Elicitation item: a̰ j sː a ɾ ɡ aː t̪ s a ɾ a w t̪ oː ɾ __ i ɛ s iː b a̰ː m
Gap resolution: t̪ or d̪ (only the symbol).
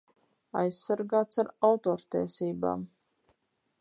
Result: t̪